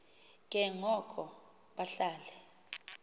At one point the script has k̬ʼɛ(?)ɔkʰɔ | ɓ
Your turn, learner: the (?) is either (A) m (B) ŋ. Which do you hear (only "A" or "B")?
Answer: B